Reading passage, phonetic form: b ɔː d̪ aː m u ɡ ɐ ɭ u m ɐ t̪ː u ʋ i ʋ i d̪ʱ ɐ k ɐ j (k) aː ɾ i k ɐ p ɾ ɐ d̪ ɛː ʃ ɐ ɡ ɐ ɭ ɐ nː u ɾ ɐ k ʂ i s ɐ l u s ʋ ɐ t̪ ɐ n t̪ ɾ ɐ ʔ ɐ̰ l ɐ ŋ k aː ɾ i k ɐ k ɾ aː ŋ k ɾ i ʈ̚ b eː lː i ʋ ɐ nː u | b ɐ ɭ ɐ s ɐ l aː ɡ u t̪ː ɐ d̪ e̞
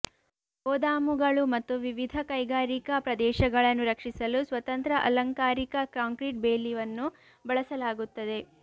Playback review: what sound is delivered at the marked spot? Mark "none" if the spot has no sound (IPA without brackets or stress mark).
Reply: ɡ